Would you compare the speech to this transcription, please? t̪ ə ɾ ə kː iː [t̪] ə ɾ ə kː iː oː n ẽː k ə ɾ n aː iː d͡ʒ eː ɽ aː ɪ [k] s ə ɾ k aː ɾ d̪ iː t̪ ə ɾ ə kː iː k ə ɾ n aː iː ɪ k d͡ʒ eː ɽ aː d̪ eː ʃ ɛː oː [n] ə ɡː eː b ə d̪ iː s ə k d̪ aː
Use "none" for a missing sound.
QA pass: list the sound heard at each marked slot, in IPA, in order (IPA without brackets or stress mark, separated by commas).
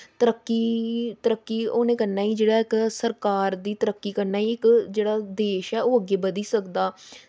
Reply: t̪, k, none